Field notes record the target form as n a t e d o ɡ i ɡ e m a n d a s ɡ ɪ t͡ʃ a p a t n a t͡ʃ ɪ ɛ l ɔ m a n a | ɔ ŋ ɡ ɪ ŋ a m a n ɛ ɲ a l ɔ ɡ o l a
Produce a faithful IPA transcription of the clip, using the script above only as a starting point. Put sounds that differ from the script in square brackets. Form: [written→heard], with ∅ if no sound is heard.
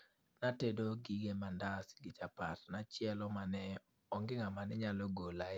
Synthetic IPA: n a t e d o ɡ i ɡ e m a n d a s ɡ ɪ t͡ʃ a p a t n a t͡ʃ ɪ ɛ l ɔ m a n [a→ɛ] | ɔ ŋ ɡ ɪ ŋ a m a n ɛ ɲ a l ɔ ɡ o l a